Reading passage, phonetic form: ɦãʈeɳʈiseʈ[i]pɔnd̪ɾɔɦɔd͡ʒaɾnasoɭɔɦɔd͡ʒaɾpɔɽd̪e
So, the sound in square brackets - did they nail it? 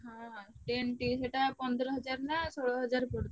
no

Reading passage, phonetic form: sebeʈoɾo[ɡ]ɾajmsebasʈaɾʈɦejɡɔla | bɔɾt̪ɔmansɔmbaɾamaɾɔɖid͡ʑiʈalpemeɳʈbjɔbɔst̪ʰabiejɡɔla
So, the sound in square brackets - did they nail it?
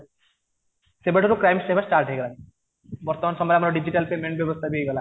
no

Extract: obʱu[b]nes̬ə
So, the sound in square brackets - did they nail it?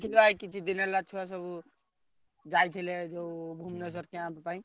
no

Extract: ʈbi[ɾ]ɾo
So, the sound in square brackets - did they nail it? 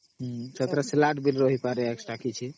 no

